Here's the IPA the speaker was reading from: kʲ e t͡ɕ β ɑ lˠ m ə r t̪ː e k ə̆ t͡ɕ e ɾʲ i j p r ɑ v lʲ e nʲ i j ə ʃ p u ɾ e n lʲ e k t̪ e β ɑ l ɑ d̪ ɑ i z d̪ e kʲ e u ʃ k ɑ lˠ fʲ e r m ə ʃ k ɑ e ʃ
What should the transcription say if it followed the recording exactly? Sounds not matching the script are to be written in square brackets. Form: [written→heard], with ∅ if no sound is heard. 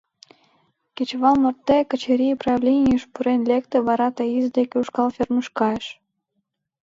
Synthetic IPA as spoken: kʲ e t͡ɕ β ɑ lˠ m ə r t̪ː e k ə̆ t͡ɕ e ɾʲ i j p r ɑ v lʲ e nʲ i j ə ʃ p u ɾ e n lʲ e k t̪ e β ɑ [l→ɾ] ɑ [d̪→t̪] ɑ i z d̪ e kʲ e u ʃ k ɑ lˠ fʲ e r m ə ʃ k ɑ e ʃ